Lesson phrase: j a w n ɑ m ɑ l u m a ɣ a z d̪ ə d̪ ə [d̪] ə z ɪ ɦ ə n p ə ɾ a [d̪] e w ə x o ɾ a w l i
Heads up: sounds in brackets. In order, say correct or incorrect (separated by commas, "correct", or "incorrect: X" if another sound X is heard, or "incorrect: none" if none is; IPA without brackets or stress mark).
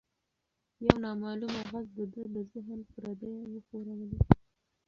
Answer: correct, correct